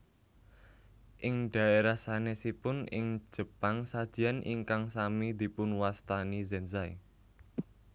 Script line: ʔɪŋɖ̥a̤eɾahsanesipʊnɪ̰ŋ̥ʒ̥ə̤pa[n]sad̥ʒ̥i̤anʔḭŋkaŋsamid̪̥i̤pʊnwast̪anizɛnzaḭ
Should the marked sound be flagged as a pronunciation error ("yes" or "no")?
yes